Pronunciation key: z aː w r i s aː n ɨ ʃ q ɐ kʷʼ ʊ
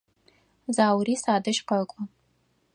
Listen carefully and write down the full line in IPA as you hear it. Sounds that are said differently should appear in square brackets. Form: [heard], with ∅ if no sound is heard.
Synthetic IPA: z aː w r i s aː [d] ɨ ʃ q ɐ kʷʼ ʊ

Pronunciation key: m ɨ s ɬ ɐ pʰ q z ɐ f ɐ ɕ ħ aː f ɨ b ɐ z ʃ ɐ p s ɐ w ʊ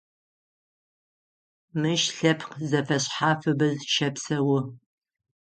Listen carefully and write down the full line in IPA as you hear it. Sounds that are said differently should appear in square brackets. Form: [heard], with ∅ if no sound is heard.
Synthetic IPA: m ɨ [ʃ] ɬ ɐ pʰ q z ɐ f ɐ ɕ ħ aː f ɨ b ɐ z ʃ ɐ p s ɐ w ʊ

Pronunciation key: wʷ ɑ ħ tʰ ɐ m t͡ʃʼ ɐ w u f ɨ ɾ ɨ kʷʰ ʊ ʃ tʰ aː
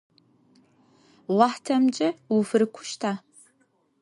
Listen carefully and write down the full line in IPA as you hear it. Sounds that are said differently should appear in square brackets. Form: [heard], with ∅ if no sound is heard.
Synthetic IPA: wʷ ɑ ħ tʰ ɐ m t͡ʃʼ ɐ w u f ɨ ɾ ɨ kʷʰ ʊ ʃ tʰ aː

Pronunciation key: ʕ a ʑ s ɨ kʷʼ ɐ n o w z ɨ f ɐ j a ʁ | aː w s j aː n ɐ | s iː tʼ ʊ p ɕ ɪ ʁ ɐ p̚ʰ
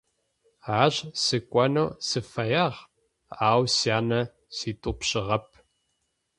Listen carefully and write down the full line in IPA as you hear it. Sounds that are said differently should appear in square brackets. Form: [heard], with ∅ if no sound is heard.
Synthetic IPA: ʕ a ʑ s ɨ kʷʼ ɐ n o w [s] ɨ f ɐ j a ʁ | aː w s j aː n ɐ | s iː tʼ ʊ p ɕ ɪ ʁ ɐ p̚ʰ

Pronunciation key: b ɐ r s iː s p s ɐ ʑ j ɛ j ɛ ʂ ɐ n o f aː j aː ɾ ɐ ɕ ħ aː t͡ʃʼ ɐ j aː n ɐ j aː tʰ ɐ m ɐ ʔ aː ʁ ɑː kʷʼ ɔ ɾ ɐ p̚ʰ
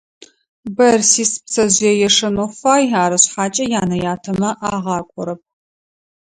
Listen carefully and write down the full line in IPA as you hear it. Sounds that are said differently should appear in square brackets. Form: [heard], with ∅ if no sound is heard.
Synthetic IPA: b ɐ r s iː s p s ɐ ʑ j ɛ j ɛ ʂ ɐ n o f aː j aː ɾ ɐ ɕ ħ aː t͡ʃʼ ɐ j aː n ɐ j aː tʰ ɐ m ɐ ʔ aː ʁ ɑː kʷʼ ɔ ɾ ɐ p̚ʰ

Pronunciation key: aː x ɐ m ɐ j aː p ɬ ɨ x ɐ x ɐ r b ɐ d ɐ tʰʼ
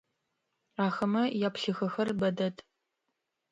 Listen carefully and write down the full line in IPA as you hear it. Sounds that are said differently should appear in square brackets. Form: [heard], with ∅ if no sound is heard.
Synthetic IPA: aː x ɐ m ɐ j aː p ɬ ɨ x ɐ x ɐ r b ɐ d ɐ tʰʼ

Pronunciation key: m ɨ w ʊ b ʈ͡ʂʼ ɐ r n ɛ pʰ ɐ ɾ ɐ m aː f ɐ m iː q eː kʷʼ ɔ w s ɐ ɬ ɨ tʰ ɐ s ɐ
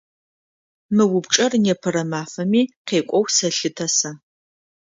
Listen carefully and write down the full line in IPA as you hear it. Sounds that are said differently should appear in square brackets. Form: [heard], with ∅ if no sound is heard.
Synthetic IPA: m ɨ w ʊ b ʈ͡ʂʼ ɐ r n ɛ pʰ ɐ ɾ ɐ m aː f ɐ m iː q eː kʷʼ ɔ w s ɐ ɬ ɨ tʰ ɐ s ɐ

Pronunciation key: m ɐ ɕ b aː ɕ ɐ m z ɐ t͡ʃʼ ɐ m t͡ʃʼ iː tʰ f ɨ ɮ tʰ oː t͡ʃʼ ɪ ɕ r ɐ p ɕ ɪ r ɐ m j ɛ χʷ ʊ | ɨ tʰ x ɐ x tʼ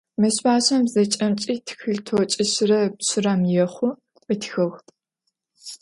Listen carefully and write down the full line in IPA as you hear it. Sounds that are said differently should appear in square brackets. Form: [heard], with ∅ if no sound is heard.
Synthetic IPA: m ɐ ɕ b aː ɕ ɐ m z ɐ t͡ʃʼ ɐ m t͡ʃʼ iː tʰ [x] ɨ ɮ tʰ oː t͡ʃʼ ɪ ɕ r ɐ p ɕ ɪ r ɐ m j ɛ χʷ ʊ | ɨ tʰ x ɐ x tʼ

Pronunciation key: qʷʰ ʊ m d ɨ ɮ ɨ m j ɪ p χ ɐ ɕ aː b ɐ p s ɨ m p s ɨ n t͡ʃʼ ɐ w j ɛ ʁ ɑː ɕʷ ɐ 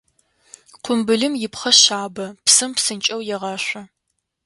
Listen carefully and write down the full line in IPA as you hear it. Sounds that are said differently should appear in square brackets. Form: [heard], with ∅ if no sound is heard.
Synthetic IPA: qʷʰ ʊ m [b] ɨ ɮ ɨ m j ɪ p χ ɐ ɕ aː b ɐ p s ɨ m p s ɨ n t͡ʃʼ ɐ w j ɛ ʁ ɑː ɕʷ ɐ

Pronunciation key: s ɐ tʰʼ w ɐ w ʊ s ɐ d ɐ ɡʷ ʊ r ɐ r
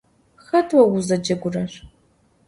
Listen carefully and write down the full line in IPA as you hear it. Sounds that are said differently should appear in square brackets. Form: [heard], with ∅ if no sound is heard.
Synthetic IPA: [x] ɐ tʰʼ w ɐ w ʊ [z] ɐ [d͡ʒ] ɐ ɡʷ ʊ r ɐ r

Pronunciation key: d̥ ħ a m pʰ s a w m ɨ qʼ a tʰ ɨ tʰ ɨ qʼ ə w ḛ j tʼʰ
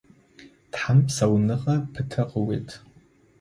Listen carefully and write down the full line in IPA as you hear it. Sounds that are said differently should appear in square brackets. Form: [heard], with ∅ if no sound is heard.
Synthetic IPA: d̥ ħ a m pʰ s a w [n] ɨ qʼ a [pʰ] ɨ tʰ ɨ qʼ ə w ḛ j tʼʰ

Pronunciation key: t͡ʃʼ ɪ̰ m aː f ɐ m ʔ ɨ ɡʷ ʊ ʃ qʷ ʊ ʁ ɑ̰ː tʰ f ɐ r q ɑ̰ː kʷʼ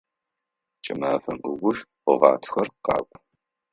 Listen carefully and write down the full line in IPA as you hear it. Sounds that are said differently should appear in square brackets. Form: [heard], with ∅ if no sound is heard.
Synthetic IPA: t͡ʃʼ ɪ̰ m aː f ɐ m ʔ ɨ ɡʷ ʊ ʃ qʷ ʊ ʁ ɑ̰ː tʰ [x] ɐ r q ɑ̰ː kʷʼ

